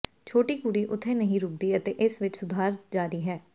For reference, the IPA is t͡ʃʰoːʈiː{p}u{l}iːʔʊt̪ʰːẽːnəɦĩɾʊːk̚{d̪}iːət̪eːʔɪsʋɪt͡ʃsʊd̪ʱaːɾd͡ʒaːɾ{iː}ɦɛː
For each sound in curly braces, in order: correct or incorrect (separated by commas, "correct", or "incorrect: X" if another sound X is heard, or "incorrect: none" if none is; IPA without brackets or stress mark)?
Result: incorrect: k, incorrect: ɽ, correct, correct